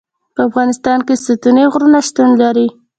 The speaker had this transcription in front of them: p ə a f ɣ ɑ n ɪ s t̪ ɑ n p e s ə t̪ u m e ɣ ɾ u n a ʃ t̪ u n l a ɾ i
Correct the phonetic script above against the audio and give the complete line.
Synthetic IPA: p ə a f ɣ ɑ n ɪ s t̪ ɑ n k e s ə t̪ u n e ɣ ɾ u n a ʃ t̪ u n l a ɾ i